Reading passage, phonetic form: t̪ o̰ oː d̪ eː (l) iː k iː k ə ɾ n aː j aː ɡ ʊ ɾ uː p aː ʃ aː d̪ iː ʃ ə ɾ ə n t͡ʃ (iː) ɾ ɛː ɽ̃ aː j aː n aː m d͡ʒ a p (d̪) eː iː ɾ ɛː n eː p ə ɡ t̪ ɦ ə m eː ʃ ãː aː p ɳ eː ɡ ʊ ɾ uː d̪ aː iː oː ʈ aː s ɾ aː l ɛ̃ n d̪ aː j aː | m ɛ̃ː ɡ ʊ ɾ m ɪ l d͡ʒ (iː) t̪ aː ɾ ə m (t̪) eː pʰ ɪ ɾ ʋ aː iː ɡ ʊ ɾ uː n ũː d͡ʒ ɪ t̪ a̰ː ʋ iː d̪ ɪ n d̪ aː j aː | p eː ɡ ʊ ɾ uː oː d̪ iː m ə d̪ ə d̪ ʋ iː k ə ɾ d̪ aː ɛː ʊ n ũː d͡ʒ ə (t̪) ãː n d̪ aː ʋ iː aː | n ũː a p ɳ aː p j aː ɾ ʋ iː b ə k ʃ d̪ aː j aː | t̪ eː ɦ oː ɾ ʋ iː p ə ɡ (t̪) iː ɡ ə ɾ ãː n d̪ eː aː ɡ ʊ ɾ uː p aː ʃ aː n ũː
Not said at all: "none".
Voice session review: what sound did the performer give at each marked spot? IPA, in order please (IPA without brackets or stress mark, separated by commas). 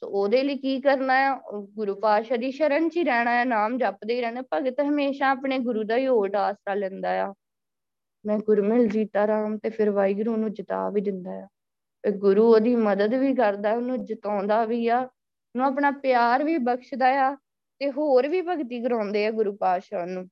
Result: l, iː, d̪, iː, t̪, t̪, t̪